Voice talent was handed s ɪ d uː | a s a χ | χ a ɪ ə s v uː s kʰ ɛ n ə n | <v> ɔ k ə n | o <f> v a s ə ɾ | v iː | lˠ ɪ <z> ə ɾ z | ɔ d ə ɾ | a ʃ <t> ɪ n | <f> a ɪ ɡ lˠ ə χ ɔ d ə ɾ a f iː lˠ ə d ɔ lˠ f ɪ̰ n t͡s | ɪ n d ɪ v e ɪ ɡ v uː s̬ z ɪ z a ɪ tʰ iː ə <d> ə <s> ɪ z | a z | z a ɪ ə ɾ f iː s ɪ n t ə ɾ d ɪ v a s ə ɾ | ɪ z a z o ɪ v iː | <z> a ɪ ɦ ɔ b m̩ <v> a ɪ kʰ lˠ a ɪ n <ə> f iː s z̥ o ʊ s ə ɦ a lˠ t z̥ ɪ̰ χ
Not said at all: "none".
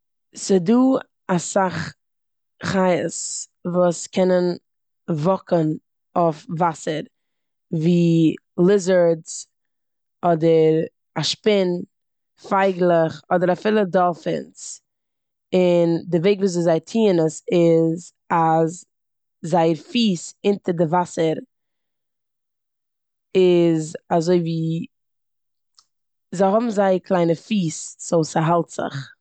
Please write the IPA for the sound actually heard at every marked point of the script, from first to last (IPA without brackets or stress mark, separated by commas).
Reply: v, f, z, p, f, n, s, z, z, ə